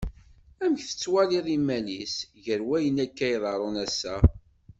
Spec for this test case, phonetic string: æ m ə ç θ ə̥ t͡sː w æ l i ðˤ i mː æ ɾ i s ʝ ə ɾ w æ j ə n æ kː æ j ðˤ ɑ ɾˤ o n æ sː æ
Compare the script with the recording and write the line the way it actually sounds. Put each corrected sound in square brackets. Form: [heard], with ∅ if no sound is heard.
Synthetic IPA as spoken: æ m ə ç θ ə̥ t͡sː w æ l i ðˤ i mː æ [l] i s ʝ ə ɾ w æ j ə n æ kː æ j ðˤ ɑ ɾˤ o n æ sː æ